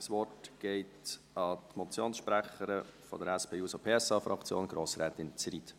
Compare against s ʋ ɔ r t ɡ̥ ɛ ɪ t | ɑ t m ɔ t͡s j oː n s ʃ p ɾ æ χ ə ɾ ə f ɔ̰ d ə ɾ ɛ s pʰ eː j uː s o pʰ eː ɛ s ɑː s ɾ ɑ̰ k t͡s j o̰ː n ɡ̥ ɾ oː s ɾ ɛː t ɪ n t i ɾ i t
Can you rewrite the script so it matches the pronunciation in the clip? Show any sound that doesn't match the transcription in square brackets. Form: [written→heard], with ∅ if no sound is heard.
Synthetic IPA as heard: s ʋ ɔ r t ɡ̥ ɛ ɪ t | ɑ t m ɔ t͡s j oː n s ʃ p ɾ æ χ ə ɾ ə f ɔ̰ d ə ɾ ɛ s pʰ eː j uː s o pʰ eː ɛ s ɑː [s→f] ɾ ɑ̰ k t͡s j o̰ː n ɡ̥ ɾ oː s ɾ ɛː t ɪ n [t→t͡s] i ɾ i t

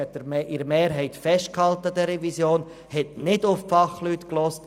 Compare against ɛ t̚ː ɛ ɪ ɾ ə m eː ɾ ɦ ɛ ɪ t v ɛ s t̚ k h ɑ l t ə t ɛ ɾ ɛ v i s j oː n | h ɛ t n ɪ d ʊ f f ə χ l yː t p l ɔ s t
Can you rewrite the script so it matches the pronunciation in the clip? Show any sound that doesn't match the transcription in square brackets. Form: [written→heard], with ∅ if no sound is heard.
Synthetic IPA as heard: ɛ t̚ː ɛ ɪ ɾ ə m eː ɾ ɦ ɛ ɪ t [v→f] ɛ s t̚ k h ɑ l t ə [t→d] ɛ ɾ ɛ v i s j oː n | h ɛ t n ɪ d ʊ f f [ə→ɑ] χ l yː t [p→k] l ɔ s t

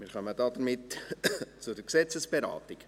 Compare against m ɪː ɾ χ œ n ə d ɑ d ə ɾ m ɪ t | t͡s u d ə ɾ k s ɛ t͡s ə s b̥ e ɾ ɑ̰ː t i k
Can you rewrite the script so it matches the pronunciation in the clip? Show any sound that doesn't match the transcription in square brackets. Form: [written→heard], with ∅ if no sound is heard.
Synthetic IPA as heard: m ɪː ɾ χ œ [n→m] ə d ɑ d ə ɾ m ɪ t | t͡s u d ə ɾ k s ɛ t͡s ə s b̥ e ɾ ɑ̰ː t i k

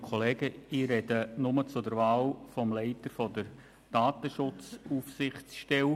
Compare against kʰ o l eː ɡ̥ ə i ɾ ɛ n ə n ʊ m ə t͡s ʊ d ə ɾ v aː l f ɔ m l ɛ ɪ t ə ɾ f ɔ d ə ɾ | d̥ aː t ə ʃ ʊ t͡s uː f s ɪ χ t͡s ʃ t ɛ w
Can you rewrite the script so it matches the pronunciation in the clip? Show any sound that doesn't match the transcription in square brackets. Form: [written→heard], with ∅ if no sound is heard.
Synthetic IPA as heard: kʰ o l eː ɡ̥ ə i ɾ ɛ [n→d] ə n ʊ m ə t͡s ʊ d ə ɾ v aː l f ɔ m l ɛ ɪ t ə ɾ f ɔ d ə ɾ | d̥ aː t ə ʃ ʊ t͡s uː f s ɪ χ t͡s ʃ t ɛ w

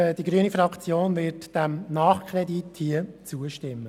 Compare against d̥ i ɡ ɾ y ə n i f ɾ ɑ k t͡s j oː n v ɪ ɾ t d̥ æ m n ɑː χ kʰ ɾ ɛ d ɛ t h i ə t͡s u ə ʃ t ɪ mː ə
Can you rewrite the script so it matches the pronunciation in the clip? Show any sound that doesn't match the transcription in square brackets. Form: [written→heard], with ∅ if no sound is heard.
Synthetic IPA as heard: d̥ i ɡ ɾ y ə n i f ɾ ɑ k t͡s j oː n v ɪ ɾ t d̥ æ m n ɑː χ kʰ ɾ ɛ d [ɛ→i] t h i ə t͡s u ə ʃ t ɪ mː ə

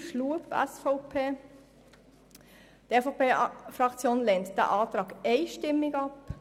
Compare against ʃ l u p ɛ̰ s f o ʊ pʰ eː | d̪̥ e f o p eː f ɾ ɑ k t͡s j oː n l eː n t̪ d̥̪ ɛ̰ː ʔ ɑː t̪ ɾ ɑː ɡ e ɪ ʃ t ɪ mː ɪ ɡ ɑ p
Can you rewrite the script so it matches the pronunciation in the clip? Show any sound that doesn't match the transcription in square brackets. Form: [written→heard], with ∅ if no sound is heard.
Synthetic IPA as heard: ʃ l u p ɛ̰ s f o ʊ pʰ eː | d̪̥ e f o p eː f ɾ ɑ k t͡s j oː n l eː n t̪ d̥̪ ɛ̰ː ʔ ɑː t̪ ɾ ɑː ɡ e ɪ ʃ t ɪ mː ɪ ɡ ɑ p

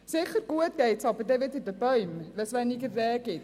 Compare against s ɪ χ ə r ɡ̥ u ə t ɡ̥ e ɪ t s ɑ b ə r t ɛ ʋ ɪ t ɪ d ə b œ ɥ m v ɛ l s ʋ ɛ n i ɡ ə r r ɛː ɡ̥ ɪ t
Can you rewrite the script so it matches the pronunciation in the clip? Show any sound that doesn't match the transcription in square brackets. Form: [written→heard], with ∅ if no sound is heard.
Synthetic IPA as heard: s ɪ χ ə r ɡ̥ u ə t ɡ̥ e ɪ t s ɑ b ə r [t→d] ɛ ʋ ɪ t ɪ d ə b œ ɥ m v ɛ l s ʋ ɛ n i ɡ ə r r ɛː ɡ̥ ɪ t

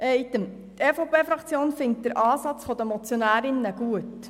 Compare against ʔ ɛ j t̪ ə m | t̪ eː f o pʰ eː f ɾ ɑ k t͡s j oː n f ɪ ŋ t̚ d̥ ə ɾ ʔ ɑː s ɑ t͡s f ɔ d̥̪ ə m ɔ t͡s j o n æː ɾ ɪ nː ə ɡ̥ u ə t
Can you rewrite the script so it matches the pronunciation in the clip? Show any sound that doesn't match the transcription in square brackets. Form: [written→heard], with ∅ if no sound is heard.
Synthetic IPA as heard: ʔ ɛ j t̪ ə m | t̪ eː f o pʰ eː f ɾ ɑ k t͡s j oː n f ɪ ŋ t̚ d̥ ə ɾ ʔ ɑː s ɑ t͡s f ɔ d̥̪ ə m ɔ t͡s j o n æː ɾ ɪ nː ə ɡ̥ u ə t

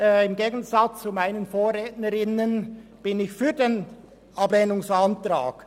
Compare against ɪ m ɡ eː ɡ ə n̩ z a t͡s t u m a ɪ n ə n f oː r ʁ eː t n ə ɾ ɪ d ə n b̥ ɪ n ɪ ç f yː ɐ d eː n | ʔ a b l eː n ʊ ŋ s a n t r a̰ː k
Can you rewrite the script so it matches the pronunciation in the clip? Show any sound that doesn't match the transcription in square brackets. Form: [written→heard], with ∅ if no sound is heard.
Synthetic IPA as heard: ɪ m ɡ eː ɡ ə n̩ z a t͡s [t→t͡s] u m a ɪ n ə n f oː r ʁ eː t n ə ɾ ɪ [d→n] ə n b̥ ɪ n ɪ ç f yː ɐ d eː n | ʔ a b l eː n ʊ ŋ s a n t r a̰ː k

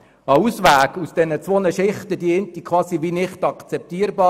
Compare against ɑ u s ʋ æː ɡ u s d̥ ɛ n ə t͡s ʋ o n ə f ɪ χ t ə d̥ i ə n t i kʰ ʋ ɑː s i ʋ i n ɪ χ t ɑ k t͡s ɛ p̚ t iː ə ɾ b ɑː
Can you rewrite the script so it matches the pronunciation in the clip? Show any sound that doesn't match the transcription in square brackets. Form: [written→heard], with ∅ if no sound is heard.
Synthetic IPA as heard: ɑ u s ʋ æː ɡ u s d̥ ɛ n ə t͡s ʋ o n ə [f→ʃ] ɪ χ t ə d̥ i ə n t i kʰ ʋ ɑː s i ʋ i n ɪ χ t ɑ k t͡s ɛ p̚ t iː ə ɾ b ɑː

